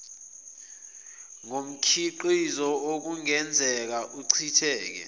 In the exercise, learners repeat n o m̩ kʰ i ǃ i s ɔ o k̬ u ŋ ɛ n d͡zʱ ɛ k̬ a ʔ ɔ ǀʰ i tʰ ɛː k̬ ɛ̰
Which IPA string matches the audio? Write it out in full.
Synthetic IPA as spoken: ŋ o m̩ kʰ i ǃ i z ɔ o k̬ u ŋ ɛ n d͡zʱ ɛ k̬ a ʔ u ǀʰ i tʰ ɛː k̬ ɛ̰